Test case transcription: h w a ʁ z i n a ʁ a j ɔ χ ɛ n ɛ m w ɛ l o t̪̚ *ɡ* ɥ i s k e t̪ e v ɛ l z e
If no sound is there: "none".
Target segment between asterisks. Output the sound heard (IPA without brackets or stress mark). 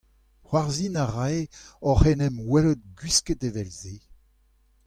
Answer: ɡ